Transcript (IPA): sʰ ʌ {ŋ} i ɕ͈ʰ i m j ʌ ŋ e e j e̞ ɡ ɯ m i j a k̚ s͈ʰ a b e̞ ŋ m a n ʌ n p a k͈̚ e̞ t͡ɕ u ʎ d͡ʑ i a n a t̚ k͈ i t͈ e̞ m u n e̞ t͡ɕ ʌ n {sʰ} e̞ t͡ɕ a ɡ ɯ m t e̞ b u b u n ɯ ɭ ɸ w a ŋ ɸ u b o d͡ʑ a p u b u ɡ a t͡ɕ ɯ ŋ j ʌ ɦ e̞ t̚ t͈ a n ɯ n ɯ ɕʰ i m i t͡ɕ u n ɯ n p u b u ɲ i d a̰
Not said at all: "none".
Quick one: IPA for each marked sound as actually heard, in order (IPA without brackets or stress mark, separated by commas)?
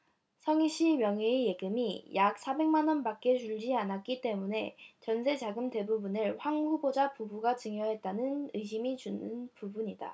ŋ, sʰ